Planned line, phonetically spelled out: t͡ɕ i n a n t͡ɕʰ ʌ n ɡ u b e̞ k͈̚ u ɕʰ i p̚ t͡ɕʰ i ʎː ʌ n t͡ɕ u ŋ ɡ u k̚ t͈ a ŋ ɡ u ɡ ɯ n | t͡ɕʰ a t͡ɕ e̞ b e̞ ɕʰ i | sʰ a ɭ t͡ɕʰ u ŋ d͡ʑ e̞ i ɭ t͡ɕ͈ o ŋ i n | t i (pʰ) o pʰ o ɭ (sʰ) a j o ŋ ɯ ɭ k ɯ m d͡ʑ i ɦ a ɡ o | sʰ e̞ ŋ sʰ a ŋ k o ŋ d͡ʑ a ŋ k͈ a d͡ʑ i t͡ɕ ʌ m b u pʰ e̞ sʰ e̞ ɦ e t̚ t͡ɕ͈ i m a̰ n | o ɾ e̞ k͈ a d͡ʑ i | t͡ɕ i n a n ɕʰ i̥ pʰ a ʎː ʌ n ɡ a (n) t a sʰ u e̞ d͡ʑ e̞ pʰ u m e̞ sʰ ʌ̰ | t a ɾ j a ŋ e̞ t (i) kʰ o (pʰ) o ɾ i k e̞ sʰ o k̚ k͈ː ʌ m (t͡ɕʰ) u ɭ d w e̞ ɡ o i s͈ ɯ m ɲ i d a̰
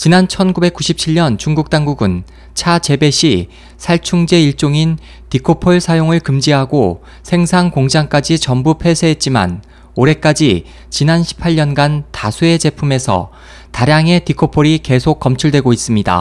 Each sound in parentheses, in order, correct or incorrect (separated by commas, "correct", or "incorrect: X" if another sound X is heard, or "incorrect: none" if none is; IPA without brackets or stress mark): incorrect: kʰ, correct, correct, correct, correct, correct